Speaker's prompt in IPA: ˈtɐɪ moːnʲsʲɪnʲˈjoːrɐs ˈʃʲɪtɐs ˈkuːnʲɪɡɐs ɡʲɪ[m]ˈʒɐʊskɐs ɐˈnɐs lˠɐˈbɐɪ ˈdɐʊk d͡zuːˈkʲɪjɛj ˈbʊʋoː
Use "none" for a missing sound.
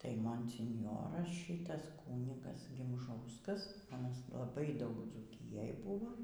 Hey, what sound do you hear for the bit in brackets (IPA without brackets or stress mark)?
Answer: m